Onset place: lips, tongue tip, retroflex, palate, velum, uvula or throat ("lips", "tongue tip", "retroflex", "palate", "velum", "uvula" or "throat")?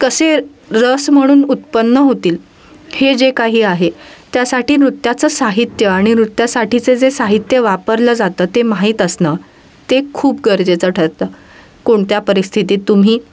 velum